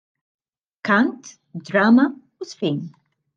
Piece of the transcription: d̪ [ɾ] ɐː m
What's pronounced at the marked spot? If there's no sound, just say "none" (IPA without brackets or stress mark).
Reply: ɾ